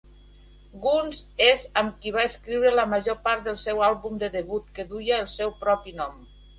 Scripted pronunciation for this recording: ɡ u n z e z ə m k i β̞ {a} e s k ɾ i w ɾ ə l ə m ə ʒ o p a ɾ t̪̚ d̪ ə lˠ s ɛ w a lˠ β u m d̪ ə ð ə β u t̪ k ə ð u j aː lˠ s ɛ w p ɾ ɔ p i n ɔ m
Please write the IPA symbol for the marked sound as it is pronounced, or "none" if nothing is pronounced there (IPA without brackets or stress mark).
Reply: a